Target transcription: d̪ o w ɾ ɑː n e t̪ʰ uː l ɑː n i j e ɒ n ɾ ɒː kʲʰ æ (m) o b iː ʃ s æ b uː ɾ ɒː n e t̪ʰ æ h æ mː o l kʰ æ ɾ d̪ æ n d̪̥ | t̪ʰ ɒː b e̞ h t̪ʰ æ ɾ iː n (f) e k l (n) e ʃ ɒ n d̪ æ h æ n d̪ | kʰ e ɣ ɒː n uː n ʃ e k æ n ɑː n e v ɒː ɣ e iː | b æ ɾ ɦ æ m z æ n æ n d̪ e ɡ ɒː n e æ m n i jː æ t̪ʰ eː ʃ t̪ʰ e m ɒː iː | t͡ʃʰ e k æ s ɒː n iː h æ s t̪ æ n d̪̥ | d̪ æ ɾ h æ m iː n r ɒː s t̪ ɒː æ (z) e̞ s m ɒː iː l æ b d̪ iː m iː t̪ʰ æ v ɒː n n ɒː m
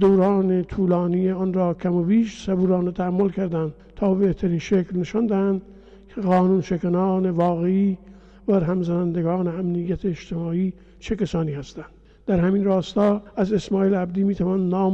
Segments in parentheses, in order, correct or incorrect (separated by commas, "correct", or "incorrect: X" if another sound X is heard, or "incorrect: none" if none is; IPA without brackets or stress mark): correct, incorrect: ʃ, correct, correct